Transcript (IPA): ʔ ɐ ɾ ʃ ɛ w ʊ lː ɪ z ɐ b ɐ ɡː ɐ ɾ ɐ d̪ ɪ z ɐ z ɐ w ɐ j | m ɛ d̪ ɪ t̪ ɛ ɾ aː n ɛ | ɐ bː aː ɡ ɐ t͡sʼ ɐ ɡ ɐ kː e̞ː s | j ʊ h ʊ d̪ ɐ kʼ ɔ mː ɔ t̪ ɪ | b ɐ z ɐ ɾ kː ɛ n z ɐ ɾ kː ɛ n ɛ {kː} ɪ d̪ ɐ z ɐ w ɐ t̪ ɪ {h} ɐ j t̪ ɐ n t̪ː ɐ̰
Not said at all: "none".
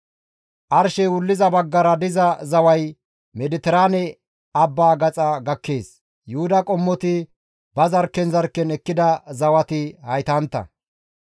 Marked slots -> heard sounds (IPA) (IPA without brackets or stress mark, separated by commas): kː, h